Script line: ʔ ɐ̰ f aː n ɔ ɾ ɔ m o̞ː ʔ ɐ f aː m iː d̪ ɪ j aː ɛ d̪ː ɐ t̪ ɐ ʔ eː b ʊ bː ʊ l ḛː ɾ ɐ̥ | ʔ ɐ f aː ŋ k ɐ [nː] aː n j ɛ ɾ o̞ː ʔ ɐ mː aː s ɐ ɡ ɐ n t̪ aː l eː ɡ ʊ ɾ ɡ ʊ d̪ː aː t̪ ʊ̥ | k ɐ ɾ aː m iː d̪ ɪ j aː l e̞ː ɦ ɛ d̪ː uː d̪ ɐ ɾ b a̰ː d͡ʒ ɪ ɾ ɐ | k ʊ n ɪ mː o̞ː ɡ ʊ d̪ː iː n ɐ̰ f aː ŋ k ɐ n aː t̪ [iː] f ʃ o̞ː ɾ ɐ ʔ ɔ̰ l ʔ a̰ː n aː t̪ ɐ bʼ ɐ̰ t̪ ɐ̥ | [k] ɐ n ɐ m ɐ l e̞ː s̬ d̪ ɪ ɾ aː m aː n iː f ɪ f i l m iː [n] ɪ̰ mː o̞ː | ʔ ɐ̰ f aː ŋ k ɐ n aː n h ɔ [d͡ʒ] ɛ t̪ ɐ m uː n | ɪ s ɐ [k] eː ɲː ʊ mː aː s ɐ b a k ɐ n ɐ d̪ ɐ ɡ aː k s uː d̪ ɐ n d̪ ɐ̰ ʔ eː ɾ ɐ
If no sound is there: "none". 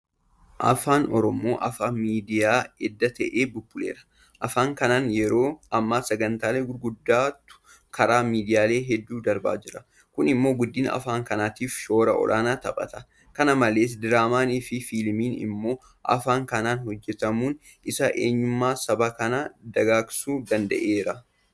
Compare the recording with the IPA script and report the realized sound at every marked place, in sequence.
n, iː, k, n, d͡ʒː, ʔ

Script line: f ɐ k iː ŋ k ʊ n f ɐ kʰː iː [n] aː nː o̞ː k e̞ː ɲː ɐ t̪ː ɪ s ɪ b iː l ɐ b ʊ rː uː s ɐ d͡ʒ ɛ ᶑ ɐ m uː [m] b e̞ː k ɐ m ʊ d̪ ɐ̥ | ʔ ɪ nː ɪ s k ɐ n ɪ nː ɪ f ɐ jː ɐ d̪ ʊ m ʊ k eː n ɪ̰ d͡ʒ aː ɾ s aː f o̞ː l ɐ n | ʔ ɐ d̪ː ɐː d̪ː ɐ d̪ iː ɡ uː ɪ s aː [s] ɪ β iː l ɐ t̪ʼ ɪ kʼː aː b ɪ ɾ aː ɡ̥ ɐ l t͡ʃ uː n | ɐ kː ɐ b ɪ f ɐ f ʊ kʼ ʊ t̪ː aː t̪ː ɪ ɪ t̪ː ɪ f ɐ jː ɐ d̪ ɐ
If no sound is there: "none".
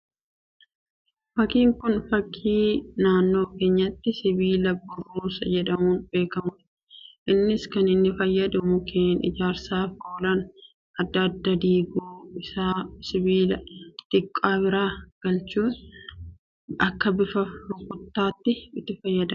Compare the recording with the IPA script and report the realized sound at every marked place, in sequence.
n, n, s

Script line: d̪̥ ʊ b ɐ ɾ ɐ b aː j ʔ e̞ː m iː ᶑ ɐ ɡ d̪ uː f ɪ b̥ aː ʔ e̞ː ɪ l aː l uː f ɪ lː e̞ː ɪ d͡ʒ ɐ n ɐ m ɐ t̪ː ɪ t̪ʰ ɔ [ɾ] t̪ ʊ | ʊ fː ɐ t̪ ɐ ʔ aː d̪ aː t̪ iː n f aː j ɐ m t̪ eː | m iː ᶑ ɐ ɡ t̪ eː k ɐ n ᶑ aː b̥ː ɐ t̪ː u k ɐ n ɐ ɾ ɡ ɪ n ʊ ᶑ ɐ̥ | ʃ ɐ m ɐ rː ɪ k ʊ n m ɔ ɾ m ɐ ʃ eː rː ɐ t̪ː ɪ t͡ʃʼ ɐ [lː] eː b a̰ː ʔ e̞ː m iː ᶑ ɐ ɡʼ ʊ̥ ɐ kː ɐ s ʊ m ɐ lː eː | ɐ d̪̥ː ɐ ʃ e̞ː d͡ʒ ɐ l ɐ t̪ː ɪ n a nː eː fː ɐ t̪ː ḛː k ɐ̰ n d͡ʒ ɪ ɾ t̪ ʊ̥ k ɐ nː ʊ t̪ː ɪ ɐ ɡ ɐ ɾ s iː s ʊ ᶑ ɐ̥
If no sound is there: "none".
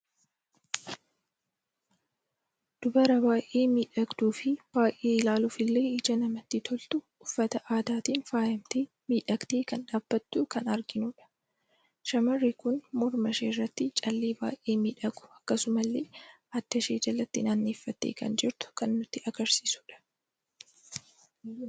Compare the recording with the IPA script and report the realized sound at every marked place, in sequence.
l, lː

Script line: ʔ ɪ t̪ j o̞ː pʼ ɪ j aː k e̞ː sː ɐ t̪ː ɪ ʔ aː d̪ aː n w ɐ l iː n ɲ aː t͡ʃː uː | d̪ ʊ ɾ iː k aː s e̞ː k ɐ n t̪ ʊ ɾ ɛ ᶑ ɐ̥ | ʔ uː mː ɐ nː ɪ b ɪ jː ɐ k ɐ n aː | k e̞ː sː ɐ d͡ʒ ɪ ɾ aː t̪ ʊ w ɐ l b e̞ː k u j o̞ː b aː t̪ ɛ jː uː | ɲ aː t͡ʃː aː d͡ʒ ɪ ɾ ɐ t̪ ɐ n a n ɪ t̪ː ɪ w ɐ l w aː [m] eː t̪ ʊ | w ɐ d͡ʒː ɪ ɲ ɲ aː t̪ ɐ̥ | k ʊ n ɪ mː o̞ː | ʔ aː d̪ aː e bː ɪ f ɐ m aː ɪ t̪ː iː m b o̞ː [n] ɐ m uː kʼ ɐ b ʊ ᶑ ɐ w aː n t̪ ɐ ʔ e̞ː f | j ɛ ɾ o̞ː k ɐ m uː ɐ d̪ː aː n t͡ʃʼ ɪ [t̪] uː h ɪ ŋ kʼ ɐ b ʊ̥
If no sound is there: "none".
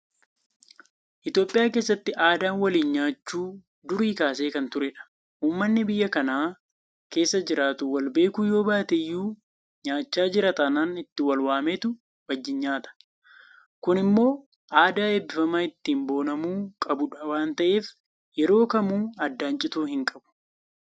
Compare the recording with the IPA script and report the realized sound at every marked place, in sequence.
m, n, t̪

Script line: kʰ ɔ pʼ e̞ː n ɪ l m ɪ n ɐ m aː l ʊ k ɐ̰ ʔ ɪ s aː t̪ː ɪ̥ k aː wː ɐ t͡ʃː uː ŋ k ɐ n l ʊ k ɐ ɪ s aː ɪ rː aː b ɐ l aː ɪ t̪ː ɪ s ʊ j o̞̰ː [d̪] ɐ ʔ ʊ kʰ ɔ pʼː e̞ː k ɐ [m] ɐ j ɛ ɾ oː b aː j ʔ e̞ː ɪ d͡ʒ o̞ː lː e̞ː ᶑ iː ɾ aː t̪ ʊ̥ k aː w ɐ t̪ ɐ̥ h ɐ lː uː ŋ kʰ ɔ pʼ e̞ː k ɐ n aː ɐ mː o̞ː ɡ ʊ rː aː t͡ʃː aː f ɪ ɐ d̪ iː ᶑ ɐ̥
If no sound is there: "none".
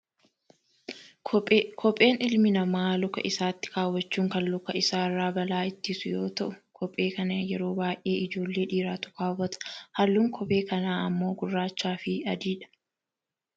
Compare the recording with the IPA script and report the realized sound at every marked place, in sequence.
t̪, n

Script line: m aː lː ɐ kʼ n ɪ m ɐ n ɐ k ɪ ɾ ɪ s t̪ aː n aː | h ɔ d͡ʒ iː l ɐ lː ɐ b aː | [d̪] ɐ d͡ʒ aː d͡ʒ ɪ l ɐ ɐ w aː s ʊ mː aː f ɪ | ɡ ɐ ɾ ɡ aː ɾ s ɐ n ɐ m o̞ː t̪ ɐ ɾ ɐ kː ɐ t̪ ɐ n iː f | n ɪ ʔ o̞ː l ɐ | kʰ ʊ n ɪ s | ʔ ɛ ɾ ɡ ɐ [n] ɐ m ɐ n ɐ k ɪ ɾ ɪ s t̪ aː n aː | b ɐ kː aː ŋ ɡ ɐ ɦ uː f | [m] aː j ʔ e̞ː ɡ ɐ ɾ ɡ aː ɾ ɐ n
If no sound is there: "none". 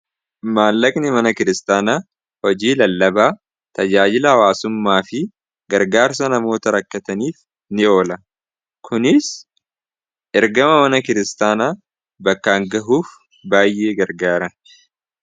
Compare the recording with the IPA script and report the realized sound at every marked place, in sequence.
t̪, m, b

